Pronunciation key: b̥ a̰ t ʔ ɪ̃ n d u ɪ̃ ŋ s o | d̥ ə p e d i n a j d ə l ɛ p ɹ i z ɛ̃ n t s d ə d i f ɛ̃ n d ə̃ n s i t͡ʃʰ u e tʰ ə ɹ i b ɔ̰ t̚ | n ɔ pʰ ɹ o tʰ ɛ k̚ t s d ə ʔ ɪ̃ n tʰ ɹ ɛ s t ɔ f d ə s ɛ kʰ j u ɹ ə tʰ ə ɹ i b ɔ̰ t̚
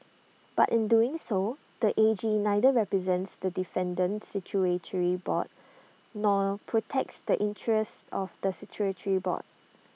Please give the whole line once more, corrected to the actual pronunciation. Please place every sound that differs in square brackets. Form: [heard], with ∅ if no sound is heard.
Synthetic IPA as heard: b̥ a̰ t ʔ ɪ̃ n d u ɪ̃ ŋ s o | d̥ ə [ʔ] e [d͡ʒ] i n a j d ə [ɹ] ɛ p ɹ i z ɛ̃ n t s d ə d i f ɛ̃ n d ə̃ n s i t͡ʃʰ u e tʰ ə ɹ i b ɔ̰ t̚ | n ɔ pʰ ɹ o tʰ ɛ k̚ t s d ə ʔ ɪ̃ n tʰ ɹ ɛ s t ɔ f d ə s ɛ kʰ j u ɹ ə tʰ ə ɹ i b ɔ̰ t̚